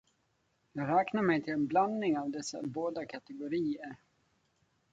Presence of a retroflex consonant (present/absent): absent